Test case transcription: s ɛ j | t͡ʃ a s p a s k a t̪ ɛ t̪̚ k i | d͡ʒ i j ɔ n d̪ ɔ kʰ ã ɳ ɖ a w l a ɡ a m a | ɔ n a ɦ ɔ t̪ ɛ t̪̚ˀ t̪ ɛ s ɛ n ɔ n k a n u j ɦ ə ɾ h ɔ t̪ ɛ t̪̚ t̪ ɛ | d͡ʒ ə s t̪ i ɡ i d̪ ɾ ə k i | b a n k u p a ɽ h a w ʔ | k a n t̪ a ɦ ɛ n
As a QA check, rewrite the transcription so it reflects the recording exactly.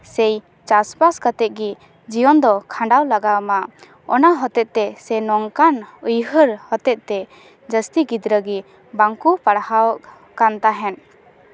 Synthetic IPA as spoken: s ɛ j | t͡ʃ a s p a s k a t̪ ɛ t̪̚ ɡ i | d͡ʒ i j ɔ n d̪ ɔ kʰ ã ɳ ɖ a w l a ɡ a m a | ɔ n a ɦ ɔ t̪ ɛ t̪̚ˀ t̪ ɛ s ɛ n ɔ ŋ k a n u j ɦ ə ɾ h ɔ t̪ ɛ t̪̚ t̪ ɛ | d͡ʒ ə s t̪ i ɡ i d̪ ɾ ə ɡ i | b a ŋ k u p a ɽ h a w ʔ | k a n t̪ a ɦ ɛ n